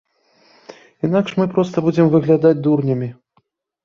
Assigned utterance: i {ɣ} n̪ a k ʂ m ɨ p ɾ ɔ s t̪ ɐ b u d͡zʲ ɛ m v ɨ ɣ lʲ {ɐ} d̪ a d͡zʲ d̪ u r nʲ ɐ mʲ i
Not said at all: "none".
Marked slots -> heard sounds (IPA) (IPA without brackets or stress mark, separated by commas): none, a